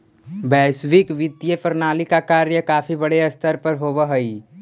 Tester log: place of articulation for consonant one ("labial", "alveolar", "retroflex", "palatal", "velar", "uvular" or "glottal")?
labial